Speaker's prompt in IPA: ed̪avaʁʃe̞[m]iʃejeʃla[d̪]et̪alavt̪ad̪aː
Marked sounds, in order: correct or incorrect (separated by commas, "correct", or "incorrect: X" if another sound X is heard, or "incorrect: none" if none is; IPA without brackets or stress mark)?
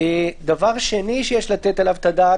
incorrect: n, incorrect: t̪